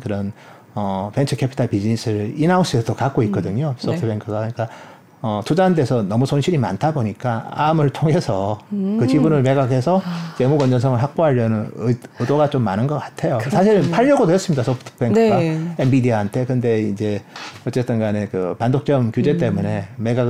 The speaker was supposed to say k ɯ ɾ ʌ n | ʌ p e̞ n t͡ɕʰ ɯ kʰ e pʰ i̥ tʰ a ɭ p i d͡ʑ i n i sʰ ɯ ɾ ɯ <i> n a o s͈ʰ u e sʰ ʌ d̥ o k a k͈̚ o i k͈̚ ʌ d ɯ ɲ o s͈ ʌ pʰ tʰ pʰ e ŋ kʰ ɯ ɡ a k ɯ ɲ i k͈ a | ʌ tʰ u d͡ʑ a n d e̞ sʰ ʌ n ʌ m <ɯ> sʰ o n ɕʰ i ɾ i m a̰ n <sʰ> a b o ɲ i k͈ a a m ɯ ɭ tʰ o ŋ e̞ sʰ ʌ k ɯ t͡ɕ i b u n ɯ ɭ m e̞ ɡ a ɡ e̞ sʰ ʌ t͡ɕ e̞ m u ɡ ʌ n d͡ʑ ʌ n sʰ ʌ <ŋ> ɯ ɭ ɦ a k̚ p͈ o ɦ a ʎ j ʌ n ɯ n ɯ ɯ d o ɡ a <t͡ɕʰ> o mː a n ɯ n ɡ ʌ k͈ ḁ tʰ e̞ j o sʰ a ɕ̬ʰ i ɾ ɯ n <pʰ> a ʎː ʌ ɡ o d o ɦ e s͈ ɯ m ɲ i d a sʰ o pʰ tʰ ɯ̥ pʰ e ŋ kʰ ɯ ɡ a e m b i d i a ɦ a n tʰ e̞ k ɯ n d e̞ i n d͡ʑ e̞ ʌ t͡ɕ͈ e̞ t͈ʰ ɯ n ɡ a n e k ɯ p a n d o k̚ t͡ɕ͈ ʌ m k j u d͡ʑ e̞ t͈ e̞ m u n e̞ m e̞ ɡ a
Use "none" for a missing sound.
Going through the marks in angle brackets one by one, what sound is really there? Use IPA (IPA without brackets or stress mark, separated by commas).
i, u, tʰ, ŋ, t͡ɕ, pʰ